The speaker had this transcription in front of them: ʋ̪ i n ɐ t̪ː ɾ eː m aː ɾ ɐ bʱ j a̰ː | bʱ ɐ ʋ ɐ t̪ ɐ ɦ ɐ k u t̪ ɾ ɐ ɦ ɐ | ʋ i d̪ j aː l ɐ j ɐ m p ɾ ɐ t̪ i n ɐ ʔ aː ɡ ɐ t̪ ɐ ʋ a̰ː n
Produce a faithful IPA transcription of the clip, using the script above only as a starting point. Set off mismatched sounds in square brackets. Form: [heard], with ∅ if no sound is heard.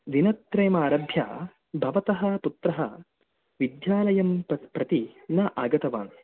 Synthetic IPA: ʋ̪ i n ɐ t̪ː ɾ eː m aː ɾ ɐ bʱ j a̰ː | bʱ ɐ ʋ ɐ t̪ ɐ ɦ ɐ [p] u t̪ ɾ ɐ ɦ ɐ | ʋ i d̪ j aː l ɐ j ɐ m p ɾ ɐ t̪ i n ɐ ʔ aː ɡ ɐ t̪ ɐ ʋ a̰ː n